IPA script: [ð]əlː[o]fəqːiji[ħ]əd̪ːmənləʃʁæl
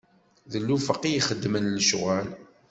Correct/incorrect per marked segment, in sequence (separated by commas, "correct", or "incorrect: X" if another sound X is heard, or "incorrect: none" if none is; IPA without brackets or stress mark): correct, incorrect: u, incorrect: χ